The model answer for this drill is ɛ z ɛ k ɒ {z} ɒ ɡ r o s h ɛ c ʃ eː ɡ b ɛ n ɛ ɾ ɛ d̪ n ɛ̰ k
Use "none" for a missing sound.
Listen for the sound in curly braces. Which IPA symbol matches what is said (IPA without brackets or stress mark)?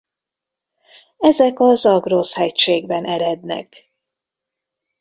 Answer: z